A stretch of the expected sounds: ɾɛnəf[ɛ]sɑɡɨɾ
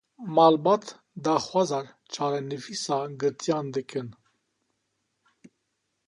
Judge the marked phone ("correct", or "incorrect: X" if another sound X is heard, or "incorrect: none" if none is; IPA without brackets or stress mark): incorrect: i